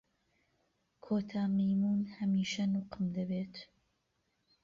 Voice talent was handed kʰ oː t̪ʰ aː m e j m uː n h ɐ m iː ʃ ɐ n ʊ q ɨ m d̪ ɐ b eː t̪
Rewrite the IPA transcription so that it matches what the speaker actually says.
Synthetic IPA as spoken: kʰ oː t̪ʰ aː m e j m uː n h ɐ m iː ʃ ɐ n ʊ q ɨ m d̪ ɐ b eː t̪